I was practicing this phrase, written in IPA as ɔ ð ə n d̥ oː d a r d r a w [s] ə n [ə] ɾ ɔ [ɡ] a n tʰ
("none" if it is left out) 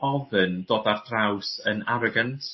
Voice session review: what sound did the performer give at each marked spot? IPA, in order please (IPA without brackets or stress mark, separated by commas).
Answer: s, a, ɡ